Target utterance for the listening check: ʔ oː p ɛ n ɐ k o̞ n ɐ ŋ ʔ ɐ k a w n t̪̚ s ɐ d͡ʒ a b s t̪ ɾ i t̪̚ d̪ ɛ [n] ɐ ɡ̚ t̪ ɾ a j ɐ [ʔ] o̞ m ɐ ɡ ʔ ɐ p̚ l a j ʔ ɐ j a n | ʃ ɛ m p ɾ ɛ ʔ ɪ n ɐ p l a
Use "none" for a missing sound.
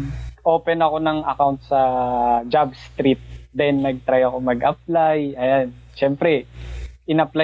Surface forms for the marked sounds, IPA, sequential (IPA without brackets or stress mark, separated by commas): nː, k